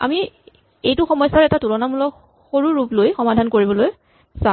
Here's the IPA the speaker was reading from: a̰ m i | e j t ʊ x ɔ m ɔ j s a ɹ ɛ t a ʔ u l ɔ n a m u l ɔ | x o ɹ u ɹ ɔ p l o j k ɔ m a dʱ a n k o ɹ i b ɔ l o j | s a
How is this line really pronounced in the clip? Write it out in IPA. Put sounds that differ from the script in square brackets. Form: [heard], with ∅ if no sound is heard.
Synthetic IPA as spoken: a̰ m i | e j t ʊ x ɔ m ɔ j s a ɹ ɛ t a [t] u l ɔ n a m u l ɔ | x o ɹ u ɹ [u] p l o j [x] ɔ m a dʱ a n k o ɹ i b ɔ l o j | s a